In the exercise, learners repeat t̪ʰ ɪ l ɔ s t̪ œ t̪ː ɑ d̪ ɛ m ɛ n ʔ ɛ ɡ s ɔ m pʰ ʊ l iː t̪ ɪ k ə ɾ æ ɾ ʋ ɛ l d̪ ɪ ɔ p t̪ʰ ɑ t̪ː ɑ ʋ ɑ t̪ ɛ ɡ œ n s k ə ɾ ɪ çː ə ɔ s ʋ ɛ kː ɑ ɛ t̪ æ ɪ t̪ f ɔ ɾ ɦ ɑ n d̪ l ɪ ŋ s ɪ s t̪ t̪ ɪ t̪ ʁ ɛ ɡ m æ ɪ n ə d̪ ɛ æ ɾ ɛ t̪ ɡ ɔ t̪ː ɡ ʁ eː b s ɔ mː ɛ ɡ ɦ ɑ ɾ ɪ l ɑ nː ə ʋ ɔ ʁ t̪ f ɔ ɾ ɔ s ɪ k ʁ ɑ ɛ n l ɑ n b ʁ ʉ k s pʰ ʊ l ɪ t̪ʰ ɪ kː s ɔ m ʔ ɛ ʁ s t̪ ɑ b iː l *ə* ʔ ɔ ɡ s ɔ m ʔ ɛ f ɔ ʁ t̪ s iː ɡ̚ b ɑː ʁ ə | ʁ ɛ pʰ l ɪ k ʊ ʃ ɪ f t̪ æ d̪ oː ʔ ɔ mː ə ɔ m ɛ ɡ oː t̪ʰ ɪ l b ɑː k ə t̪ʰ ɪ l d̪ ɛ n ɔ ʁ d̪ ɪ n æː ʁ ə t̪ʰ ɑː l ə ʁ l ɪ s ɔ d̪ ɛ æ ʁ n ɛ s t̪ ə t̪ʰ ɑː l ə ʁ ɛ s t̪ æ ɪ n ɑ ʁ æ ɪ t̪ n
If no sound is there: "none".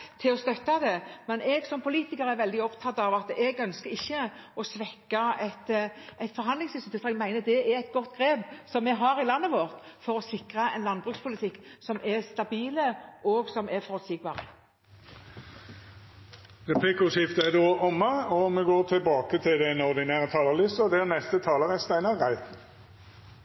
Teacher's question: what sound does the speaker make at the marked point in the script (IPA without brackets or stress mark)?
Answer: ə